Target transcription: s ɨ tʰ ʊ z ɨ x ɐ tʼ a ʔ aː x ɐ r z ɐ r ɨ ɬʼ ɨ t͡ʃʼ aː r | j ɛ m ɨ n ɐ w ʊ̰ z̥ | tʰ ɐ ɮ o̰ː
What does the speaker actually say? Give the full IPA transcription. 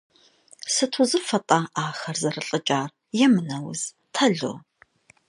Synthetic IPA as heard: s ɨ tʰ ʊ z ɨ f ɐ tʼ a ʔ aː x ɐ r z ɐ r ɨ ɬʼ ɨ t͡ʃʼ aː r | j ɛ m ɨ n ɐ w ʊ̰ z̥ | tʰ ɐ ɮ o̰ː